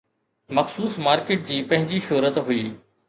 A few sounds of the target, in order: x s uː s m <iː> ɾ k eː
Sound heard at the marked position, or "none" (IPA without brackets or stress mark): aː